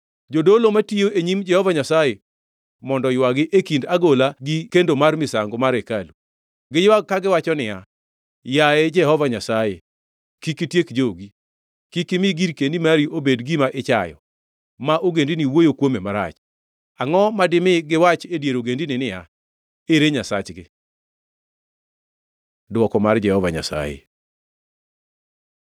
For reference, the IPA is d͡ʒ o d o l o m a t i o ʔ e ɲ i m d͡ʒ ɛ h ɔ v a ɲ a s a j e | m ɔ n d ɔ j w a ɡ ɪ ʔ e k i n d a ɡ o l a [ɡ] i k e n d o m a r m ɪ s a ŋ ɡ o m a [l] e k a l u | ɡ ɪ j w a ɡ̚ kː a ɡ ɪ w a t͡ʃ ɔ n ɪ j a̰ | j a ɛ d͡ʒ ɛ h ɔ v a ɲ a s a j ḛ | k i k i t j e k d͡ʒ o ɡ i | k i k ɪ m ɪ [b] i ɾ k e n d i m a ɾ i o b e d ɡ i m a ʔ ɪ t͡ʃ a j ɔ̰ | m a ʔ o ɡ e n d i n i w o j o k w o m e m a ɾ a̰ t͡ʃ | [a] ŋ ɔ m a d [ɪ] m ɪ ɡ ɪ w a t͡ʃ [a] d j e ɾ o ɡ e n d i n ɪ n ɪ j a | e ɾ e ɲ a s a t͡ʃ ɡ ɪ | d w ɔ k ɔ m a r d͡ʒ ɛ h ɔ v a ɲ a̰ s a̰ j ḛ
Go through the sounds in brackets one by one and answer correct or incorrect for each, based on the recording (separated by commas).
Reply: correct, incorrect, incorrect, correct, correct, incorrect